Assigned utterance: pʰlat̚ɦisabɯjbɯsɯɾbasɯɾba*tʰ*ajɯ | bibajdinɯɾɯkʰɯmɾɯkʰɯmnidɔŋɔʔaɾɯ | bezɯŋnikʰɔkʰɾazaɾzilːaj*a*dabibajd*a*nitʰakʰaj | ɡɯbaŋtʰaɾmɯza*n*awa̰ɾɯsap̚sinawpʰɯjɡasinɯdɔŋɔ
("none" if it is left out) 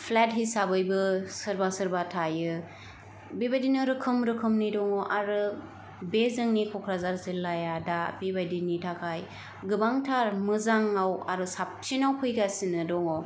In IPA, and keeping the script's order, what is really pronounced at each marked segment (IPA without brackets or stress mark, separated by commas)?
tʰ, a, i, ŋ